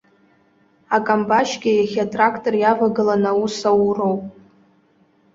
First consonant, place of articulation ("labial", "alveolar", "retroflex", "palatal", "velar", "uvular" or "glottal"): velar